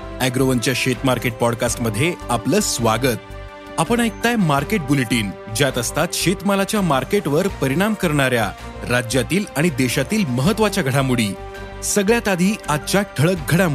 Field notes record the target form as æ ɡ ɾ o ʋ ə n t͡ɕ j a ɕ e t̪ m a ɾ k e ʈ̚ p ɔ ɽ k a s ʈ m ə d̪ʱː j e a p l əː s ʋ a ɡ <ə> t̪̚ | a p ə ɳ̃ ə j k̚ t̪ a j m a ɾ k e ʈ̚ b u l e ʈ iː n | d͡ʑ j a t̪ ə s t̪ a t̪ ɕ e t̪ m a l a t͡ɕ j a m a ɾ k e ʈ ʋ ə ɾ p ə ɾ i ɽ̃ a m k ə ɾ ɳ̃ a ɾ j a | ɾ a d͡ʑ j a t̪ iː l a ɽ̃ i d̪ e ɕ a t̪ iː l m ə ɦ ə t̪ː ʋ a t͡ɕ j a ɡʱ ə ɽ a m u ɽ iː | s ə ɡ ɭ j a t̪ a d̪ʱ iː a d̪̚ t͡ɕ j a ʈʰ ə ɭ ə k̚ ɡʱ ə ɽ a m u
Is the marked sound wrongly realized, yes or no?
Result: no